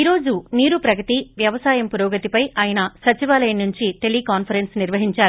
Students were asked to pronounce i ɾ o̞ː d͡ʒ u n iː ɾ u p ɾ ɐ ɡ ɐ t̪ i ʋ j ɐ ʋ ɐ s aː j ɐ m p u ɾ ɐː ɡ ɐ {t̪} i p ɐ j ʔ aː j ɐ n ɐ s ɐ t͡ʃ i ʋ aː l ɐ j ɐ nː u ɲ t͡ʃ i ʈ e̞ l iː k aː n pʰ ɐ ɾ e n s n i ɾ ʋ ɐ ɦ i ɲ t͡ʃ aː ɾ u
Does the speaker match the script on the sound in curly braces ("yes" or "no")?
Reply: yes